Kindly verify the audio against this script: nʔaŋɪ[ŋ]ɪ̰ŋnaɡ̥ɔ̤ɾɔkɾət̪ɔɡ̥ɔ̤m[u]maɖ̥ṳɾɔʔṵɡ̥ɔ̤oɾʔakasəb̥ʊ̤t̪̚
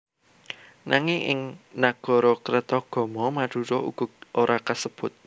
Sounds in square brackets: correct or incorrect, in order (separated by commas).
correct, incorrect